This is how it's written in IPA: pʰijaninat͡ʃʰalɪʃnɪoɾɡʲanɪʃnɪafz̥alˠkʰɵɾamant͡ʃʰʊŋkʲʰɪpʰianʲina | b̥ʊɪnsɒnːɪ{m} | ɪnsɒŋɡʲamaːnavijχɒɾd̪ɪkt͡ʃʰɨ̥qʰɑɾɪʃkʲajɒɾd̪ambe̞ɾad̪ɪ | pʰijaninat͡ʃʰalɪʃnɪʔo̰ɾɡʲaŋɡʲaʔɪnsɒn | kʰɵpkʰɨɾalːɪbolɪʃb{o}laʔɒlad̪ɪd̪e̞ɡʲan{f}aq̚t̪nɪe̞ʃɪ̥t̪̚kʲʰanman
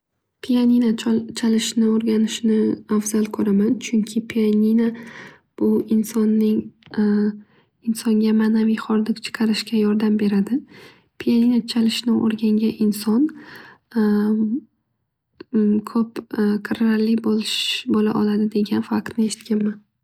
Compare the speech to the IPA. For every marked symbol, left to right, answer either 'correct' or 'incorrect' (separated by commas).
incorrect, correct, correct